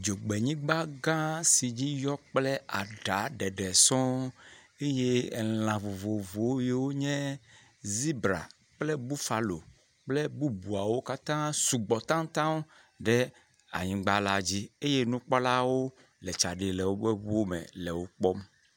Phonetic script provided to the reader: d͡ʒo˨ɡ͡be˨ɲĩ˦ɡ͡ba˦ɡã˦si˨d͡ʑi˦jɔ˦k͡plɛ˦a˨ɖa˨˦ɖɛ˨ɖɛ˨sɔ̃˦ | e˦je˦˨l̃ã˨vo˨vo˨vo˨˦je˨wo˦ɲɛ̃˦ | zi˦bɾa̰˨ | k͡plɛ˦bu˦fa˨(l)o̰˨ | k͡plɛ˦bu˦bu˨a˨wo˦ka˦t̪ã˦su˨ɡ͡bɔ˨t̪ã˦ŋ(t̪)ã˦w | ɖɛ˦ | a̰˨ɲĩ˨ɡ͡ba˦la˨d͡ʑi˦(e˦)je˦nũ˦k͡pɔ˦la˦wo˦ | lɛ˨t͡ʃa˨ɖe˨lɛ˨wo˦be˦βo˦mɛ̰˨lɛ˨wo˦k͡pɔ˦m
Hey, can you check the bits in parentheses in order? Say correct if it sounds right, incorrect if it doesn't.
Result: correct, correct, correct

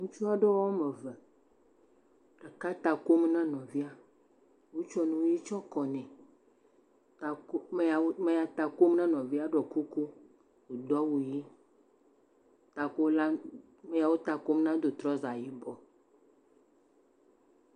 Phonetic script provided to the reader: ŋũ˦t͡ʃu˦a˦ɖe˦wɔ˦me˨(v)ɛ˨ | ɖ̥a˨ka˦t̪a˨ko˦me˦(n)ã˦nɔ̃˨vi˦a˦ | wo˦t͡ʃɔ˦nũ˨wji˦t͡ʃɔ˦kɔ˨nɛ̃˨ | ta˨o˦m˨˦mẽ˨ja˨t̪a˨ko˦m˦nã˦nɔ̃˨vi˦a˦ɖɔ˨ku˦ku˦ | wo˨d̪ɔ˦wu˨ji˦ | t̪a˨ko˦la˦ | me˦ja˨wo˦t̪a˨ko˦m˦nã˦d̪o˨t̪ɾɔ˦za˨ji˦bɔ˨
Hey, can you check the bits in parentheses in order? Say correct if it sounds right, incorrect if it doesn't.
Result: correct, correct

